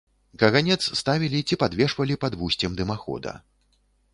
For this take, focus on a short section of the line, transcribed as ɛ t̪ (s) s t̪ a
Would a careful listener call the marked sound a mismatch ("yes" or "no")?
no